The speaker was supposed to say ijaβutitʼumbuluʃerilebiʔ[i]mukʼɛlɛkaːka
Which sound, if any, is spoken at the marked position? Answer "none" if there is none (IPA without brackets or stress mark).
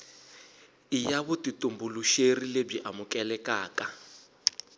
a